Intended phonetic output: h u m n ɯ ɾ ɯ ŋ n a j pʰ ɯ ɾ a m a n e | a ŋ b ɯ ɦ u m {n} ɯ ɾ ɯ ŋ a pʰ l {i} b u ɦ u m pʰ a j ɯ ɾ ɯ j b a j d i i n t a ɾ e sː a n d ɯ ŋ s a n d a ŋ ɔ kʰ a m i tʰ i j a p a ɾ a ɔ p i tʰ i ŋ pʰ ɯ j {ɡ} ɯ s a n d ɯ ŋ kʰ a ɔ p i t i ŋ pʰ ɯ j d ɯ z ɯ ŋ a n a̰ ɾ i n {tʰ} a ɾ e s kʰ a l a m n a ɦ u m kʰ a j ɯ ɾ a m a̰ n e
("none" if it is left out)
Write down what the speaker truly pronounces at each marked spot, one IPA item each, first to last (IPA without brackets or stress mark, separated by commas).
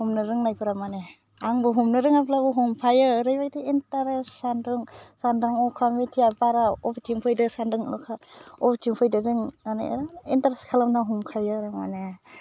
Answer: n, a, d, t